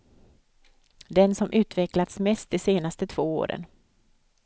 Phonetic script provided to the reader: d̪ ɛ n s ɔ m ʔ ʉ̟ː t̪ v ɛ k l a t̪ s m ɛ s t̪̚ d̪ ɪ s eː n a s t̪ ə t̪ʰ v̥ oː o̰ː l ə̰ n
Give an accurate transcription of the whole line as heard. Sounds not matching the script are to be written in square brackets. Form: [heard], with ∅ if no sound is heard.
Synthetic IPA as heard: d̪ ɛ n s ɔ m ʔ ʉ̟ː t̪ v ɛ k l a t̪ s m ɛ s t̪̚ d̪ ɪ s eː n a s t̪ ə t̪ʰ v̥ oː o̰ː [ɾ] ə̰ n